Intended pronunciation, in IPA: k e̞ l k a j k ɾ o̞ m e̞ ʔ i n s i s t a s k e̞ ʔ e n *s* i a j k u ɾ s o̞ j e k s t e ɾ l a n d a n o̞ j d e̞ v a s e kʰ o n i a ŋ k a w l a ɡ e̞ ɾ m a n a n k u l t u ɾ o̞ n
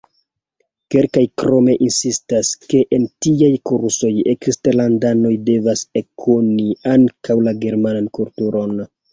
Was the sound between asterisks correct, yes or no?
no